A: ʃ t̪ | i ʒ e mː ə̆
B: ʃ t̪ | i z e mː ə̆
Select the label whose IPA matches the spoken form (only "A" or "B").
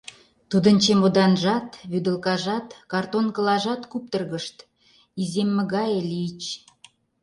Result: B